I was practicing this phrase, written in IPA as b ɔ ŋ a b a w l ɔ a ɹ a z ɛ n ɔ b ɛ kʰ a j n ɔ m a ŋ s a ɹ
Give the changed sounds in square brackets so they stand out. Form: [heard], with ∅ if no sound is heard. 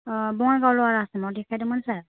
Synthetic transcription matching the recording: b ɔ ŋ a [ɡ] a w l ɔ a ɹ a [s] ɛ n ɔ [d] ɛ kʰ a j [d] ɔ m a [n] s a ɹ